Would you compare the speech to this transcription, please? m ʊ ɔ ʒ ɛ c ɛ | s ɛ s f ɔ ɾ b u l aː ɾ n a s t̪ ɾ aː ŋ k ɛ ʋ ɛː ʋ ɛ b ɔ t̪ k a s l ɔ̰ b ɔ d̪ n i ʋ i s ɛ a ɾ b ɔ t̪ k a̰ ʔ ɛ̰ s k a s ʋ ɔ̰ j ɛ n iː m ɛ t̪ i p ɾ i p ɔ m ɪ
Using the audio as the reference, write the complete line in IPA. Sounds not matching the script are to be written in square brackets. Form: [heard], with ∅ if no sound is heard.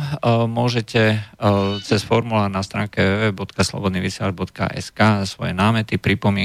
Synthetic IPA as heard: m ʊ ɔ ʒ ɛ c ɛ | [t͡s] ɛ s f ɔ ɾ [m] u l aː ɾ n a s t̪ ɾ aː ŋ k ɛ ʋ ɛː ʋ ɛ b ɔ t̪ k a s l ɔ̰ b ɔ d̪ n i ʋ i s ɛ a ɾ b ɔ t̪ k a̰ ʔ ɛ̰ s k a s ʋ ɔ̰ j ɛ n [aː] m ɛ t̪ i p ɾ i p ɔ m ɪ